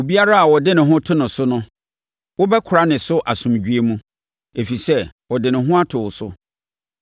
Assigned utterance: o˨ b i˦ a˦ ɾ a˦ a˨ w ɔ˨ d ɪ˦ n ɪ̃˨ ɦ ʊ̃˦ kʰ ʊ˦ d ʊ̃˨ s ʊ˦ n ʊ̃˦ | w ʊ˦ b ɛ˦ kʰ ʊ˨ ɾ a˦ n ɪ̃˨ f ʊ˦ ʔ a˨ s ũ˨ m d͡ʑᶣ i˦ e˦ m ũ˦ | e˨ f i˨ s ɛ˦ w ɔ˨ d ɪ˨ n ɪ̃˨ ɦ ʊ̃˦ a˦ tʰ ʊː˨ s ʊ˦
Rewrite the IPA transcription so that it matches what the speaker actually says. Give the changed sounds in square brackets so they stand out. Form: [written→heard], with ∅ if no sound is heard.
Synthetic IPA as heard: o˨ b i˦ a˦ ɾ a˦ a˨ w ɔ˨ d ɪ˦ n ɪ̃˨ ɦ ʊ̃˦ [kʰ→tʰ] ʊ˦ [d→n] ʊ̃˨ s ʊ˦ n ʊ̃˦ | w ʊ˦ b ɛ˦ kʰ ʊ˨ ɾ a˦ n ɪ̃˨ [f→s] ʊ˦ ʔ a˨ s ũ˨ m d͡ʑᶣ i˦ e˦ m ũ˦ | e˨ f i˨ s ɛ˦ w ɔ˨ d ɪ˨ n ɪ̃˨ ɦ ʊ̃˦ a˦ tʰ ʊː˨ s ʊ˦